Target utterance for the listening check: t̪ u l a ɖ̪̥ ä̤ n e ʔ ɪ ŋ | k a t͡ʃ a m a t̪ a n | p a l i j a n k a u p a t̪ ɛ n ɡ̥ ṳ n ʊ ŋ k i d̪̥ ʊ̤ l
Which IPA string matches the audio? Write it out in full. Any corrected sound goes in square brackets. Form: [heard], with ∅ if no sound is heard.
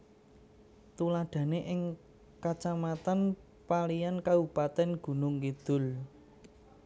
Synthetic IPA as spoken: t̪ u l a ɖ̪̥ ä̤ n e ʔ ɪ ŋ | k a t͡ʃ a m a t̪ a n | p a l i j a n k a u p a t̪ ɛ n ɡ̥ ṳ n ʊ ŋ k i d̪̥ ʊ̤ l